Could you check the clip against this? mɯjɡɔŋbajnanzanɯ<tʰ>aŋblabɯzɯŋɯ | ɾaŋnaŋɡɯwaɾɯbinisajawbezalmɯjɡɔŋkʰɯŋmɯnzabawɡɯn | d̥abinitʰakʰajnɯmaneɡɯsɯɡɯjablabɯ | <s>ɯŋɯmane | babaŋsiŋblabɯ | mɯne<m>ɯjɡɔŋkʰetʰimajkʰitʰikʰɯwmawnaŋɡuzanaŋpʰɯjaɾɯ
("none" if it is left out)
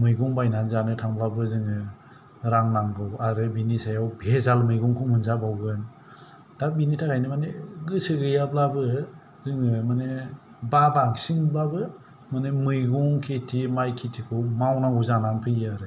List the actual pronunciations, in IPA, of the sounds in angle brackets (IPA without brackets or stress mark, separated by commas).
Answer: tʰ, z, m